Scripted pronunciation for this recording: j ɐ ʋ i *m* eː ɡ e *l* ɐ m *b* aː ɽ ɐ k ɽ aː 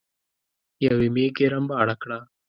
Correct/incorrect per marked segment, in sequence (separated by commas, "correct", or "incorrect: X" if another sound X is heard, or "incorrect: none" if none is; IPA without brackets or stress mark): correct, incorrect: ɾ, correct